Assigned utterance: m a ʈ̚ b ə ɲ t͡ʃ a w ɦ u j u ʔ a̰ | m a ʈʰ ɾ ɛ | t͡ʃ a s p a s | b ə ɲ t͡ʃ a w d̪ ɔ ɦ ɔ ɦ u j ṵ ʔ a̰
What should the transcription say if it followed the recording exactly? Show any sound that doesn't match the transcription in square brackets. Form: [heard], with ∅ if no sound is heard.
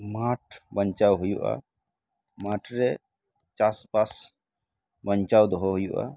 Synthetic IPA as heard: m a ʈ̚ b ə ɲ t͡ʃ a w ɦ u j u ʔ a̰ | m a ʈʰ ɾ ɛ | t͡ʃ a s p a s | b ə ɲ t͡ʃ a w d̪ ɔ ɦ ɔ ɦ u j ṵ ʔ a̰